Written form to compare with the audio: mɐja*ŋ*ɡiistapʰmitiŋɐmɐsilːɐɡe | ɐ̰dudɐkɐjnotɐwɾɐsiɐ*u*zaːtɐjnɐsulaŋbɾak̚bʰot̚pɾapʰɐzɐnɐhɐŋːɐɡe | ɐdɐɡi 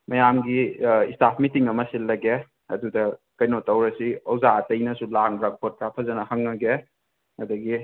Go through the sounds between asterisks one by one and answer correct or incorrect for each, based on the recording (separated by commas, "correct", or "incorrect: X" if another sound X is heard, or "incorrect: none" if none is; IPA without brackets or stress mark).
incorrect: m, incorrect: w